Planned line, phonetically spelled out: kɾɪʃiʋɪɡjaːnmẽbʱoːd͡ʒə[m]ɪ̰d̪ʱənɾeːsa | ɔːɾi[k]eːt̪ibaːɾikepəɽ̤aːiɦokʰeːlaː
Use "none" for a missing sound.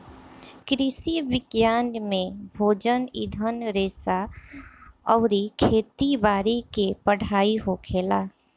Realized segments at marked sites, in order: n, kʰ

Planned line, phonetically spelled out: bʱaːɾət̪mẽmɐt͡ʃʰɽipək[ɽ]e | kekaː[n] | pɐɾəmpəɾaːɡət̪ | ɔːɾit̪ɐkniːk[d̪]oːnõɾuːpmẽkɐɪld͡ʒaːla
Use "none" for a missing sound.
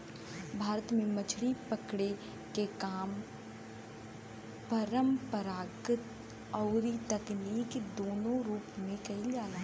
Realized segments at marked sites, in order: ɽ, m, d̪

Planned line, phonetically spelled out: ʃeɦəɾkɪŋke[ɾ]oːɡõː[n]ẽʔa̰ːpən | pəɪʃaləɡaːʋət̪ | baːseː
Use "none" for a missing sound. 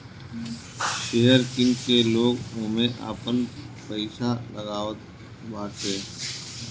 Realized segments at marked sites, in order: l, m

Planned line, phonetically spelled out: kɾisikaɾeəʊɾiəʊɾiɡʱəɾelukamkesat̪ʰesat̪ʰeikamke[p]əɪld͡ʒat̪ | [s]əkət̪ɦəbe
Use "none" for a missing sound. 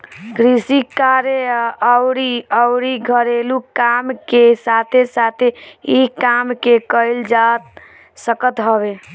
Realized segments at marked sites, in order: k, s

